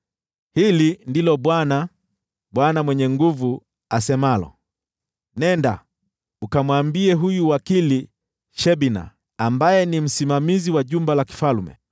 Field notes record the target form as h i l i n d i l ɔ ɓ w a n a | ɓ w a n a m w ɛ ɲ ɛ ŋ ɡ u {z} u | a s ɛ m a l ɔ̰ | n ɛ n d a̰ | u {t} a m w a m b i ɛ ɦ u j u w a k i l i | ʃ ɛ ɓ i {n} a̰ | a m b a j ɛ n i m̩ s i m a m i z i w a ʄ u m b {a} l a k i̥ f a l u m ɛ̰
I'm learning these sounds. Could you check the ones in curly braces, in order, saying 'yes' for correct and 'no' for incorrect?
no, no, yes, yes

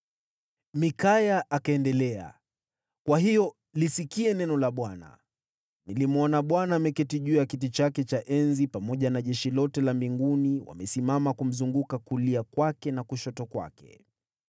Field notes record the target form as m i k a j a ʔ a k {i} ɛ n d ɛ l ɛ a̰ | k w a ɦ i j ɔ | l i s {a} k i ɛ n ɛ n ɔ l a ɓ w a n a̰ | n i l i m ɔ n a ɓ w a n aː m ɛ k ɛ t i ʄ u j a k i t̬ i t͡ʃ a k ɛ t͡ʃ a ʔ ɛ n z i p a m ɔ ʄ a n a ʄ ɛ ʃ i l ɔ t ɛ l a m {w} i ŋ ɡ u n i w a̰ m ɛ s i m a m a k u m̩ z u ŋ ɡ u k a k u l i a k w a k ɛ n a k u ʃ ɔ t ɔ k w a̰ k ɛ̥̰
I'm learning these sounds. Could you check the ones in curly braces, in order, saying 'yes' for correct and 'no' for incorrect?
no, no, no

